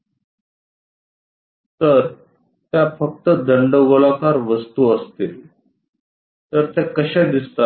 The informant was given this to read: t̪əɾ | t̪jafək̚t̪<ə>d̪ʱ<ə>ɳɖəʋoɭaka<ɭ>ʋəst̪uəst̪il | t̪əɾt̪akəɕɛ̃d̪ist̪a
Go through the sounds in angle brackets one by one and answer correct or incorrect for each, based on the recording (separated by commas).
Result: correct, correct, incorrect